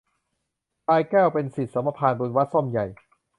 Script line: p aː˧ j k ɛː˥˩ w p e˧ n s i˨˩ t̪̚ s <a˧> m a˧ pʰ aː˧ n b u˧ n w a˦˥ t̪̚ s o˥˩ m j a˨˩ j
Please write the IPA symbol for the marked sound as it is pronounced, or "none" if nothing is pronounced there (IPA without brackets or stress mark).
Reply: a˩˦